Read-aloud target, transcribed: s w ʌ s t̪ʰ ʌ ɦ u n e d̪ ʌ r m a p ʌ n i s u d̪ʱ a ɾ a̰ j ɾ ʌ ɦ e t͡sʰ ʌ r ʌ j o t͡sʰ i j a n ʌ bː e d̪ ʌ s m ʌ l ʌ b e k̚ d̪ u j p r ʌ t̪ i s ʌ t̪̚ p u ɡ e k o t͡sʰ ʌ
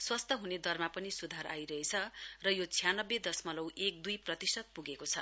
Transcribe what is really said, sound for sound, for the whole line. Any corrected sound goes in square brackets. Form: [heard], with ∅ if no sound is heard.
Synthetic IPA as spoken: s w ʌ s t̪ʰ ʌ ɦ u n e d̪ ʌ r m a p ʌ n i s u d̪ʱ a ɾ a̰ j ɾ ʌ ɦ e t͡sʰ ʌ r ʌ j o t͡sʰ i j a n ʌ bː e d̪ ʌ s m ʌ l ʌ [w] e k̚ d̪ u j p r ʌ t̪ i s ʌ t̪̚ p u ɡ e k o t͡sʰ ʌ